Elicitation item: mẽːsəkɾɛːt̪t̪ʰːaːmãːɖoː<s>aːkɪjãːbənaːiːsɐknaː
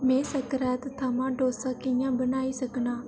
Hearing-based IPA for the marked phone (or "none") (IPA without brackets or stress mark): s